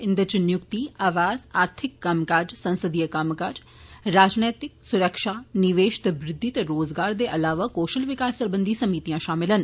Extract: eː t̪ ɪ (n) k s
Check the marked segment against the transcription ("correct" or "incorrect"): incorrect